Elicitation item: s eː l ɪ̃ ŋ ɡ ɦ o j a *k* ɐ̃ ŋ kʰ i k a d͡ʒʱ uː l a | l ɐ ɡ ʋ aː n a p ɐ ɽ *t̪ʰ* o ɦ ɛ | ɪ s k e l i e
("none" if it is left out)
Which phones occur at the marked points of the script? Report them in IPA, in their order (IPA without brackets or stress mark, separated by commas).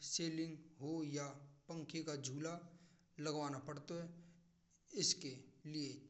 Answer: p, t̪